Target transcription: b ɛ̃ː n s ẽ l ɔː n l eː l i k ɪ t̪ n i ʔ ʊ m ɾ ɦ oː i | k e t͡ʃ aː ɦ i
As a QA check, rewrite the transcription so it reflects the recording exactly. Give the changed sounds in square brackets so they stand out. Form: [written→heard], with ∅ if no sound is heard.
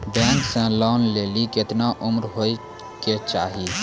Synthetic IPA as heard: b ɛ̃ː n s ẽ l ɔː n l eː l i k ɪ t̪ n [i→a] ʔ ʊ m ɾ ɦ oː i | k e t͡ʃ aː ɦ i